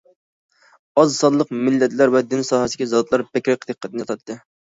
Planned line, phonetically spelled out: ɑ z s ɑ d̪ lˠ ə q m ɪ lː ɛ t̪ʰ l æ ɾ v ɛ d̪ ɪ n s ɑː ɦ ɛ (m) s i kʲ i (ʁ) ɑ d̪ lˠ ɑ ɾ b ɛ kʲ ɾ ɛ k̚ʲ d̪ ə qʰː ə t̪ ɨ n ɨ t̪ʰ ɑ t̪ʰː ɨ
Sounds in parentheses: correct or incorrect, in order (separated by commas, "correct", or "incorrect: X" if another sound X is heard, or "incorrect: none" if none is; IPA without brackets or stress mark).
incorrect: none, incorrect: z